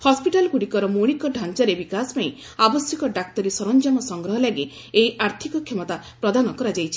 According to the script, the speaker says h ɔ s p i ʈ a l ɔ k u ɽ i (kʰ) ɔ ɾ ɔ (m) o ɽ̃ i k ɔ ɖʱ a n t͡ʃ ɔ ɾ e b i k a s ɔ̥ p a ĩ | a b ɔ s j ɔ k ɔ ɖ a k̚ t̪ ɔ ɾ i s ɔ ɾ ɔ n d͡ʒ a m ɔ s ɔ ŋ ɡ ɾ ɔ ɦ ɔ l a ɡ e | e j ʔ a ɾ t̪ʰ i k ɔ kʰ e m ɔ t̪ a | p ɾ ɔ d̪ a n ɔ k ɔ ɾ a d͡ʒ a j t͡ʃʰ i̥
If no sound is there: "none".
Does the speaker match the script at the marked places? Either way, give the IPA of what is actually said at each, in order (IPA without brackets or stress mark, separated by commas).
k, m